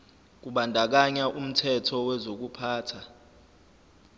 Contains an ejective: no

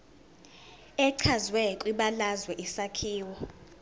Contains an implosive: yes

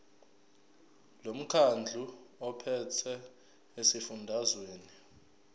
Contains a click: no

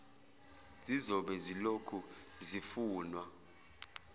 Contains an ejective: no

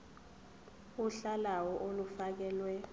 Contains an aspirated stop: no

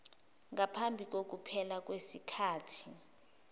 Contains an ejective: no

